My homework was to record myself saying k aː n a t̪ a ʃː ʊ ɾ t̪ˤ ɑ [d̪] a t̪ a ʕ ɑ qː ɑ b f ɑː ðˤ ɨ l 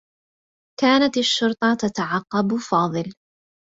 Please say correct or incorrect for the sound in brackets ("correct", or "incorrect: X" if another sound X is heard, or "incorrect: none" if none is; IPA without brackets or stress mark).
incorrect: t̪